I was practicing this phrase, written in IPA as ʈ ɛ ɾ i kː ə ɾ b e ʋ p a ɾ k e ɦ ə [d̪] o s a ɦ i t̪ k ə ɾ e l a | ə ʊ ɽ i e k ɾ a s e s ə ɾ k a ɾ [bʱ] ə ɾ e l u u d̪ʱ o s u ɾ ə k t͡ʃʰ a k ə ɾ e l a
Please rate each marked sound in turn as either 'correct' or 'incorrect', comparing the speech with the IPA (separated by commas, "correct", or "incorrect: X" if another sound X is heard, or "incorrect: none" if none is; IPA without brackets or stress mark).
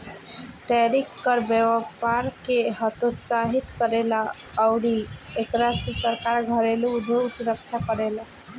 incorrect: t̪, incorrect: ɡʱ